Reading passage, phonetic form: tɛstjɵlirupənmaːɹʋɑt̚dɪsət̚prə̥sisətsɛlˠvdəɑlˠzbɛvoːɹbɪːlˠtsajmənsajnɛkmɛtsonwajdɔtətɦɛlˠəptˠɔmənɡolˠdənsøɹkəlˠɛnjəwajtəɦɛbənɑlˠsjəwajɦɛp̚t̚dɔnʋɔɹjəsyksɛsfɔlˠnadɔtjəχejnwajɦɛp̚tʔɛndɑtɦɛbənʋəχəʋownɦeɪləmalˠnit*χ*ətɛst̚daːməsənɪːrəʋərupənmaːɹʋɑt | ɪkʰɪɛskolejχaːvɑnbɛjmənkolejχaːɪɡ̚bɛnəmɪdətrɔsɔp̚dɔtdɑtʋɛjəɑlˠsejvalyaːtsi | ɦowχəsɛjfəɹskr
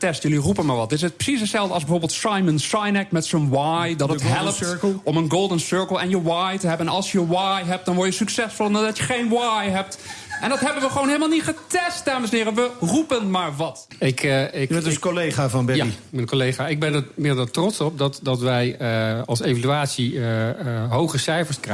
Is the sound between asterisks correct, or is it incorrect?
correct